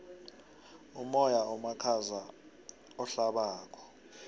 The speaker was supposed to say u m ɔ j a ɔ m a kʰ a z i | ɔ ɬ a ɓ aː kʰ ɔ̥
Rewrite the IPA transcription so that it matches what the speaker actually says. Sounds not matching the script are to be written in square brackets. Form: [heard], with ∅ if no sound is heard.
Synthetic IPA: u m ɔ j a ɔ m a kʰ a z [a] | ɔ ɬ a ɓ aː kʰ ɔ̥